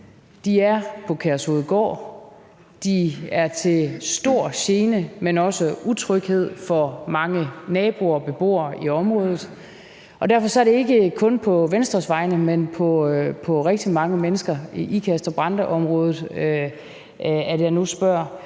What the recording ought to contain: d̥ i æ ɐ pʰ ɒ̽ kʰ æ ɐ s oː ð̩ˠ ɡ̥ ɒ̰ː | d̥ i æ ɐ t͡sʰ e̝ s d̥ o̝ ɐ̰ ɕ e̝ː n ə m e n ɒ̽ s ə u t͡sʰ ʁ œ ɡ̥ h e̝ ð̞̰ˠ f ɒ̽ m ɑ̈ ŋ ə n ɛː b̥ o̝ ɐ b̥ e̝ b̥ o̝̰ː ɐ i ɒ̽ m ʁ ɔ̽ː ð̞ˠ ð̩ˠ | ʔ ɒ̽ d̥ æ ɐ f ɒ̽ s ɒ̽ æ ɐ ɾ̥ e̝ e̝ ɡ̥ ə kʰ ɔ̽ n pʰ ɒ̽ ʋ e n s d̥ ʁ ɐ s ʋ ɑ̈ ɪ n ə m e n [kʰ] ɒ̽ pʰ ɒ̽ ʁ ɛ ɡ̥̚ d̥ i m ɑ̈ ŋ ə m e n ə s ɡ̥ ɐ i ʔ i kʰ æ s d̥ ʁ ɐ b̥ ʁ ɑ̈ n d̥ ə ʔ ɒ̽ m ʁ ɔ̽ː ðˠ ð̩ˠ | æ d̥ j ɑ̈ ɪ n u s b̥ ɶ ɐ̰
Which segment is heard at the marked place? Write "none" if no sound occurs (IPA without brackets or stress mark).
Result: pʰ